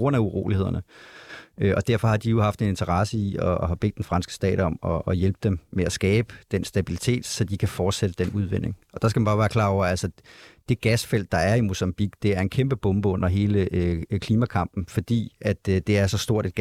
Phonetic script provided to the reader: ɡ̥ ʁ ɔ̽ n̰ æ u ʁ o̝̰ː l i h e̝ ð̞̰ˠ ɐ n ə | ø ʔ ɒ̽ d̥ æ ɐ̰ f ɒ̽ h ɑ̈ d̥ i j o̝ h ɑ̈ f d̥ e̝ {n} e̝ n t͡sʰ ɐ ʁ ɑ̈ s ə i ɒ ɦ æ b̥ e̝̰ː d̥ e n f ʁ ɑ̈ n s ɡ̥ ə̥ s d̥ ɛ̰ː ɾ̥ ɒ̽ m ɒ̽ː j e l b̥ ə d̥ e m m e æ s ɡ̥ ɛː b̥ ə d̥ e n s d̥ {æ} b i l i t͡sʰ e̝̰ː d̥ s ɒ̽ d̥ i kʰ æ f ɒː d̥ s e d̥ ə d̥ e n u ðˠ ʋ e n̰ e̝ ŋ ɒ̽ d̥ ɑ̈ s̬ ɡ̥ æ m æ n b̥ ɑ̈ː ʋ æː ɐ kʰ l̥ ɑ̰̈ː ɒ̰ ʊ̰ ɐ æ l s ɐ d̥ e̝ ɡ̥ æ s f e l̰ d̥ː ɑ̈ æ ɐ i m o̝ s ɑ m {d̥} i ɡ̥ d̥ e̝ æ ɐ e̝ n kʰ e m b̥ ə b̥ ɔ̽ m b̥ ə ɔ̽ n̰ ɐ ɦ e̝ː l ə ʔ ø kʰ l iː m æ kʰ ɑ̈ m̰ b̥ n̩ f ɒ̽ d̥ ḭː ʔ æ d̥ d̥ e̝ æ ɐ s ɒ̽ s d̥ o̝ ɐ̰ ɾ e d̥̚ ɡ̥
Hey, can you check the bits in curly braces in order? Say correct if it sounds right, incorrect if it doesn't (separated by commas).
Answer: correct, correct, incorrect